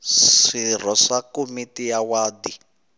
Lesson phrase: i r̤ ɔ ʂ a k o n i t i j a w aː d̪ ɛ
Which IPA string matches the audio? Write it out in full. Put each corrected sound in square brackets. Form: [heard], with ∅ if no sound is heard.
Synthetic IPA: i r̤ ɔ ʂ a k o [m] i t i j a w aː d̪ [i]

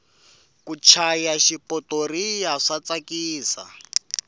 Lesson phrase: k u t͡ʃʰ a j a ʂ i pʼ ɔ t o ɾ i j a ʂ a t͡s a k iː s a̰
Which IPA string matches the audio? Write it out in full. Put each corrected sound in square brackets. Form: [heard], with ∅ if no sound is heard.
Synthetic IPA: k u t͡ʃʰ a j a [ʃ] i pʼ ɔ t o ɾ i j a ʂ a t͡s a k iː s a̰

